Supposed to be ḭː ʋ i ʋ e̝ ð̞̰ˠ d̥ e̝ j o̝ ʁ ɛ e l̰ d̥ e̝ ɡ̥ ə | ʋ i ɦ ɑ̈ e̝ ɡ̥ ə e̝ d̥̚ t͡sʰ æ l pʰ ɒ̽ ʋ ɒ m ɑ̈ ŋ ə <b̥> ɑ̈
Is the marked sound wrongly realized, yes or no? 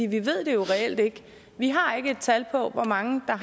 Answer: yes